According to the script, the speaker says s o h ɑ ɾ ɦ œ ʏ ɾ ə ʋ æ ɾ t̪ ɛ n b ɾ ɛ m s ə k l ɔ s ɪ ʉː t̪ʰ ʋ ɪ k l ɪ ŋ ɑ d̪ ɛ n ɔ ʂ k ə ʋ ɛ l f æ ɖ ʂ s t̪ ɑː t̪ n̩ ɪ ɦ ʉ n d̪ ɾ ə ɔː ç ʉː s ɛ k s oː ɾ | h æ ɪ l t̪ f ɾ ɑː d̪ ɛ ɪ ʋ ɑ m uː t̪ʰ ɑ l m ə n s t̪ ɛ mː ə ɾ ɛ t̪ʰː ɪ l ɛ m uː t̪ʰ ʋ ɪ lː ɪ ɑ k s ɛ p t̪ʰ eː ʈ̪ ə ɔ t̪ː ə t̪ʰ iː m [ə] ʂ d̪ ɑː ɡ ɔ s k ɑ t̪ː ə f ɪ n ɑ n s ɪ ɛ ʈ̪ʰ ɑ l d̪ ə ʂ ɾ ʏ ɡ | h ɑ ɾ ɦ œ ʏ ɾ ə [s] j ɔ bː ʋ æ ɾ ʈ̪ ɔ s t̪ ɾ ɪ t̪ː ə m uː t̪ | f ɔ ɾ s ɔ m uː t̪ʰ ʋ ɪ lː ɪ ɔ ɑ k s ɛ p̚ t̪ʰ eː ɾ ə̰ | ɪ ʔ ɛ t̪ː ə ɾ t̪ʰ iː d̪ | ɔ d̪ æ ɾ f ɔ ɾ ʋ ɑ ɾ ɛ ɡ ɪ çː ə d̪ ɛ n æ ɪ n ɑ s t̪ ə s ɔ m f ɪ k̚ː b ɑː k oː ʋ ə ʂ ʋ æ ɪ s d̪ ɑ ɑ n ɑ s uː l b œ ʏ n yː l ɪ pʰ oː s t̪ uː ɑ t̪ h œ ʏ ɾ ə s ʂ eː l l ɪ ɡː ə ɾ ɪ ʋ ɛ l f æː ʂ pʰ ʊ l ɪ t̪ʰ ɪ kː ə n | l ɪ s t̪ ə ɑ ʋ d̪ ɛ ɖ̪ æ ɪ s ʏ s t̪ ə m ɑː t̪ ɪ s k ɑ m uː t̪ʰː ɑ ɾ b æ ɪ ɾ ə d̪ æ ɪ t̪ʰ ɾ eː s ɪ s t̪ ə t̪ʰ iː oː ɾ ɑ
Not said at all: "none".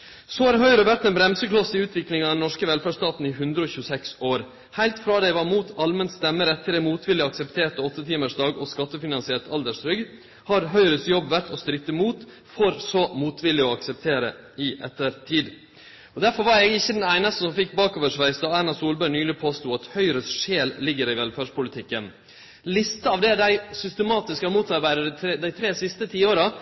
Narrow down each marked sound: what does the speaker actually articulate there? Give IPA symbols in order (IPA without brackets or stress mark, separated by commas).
ə, s